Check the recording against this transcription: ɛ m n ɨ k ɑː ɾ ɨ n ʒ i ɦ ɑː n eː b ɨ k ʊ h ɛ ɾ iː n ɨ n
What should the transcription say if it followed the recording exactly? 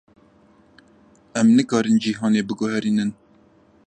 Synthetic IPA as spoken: ɛ m n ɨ k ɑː ɾ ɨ n d͡ʒ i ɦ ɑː n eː b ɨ ɡ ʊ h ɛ ɾ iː n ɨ n